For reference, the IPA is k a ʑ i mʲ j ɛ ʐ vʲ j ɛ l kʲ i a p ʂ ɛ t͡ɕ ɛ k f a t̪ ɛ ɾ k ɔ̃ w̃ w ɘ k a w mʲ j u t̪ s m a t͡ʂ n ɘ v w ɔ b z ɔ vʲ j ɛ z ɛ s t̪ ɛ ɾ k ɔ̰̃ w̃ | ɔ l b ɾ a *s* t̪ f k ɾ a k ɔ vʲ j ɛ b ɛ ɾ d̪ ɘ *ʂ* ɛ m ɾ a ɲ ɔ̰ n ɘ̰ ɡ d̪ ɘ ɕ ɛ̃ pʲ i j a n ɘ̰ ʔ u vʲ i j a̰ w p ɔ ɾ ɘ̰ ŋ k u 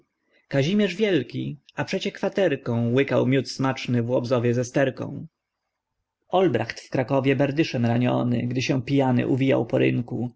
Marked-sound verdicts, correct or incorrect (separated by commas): incorrect, correct